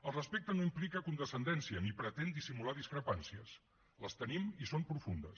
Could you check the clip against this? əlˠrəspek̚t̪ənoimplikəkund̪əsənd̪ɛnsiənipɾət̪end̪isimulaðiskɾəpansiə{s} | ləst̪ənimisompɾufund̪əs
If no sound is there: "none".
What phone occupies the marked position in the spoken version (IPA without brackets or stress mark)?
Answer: s